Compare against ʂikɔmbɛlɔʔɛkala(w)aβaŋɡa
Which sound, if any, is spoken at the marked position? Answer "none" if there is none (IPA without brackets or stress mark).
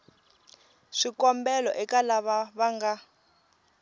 β